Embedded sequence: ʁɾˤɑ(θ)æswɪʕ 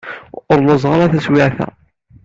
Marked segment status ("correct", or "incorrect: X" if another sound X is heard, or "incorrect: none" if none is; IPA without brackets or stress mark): correct